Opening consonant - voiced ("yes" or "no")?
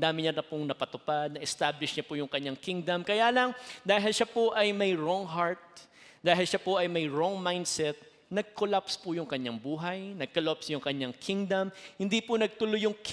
yes